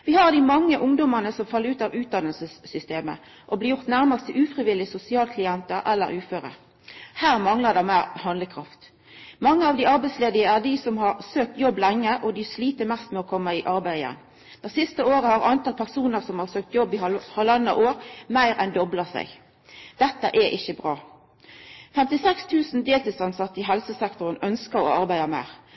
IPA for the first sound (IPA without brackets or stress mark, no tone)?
ʋ